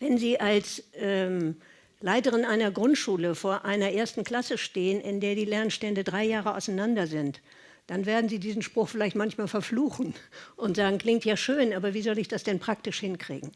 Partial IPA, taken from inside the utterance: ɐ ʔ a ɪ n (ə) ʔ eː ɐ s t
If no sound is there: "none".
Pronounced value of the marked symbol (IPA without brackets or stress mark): ɐ